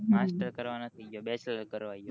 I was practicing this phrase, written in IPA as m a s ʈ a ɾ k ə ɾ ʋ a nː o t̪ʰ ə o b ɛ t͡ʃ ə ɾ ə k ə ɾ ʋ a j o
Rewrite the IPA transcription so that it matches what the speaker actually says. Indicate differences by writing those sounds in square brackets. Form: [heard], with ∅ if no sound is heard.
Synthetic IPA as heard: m a s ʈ [ə] ɾ k ə ɾ ʋ a [n] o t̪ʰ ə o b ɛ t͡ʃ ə [l] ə k ə ɾ ʋ a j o